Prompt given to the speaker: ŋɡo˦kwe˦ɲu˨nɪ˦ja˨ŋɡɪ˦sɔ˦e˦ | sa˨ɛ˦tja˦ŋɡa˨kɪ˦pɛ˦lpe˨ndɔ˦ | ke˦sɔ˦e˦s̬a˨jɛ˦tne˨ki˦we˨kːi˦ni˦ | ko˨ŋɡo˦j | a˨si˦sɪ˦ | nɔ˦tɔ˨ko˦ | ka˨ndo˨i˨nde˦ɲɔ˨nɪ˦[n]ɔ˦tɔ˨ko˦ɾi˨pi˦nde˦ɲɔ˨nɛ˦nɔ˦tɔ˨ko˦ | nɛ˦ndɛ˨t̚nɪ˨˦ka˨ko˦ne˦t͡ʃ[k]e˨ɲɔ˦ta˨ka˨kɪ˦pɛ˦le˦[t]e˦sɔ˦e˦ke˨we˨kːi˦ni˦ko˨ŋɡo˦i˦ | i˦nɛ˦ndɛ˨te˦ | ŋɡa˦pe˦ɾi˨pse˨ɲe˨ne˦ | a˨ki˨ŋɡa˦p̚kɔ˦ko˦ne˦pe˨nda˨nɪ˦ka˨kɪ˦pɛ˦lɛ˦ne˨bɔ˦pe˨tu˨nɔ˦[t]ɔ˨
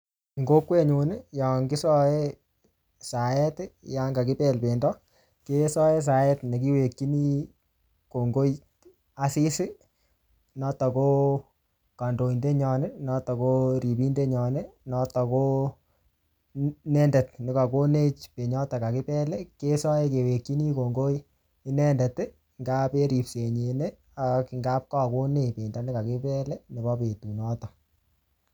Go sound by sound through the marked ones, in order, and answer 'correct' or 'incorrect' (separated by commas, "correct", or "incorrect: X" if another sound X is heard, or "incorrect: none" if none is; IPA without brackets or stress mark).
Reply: correct, incorrect: p, incorrect: k, correct